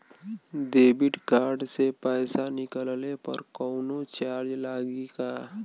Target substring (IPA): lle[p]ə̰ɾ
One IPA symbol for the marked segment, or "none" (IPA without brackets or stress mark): p